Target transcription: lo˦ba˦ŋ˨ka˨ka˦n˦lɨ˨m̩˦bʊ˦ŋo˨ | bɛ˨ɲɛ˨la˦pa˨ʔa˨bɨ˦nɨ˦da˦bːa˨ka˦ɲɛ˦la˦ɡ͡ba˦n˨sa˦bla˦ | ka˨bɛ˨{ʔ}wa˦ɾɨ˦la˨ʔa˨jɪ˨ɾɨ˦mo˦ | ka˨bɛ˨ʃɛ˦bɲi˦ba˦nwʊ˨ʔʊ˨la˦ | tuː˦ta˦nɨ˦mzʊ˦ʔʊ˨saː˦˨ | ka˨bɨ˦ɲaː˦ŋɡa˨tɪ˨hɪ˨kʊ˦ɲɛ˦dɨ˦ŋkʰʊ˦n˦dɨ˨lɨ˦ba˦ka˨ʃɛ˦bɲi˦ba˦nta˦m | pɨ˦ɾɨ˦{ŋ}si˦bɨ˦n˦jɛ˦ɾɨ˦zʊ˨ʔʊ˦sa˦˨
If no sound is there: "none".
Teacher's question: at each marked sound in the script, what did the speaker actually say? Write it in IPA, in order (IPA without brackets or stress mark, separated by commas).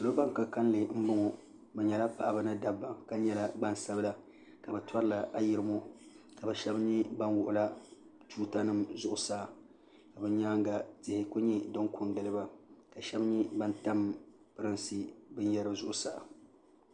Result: t, n